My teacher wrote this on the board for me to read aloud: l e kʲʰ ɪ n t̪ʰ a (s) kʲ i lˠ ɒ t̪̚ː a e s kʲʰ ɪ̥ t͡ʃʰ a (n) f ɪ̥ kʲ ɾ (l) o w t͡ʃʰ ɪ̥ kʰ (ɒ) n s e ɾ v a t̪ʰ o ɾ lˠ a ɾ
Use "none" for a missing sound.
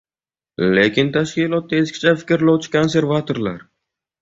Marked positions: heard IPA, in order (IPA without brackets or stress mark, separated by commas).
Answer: ʃ, none, l, o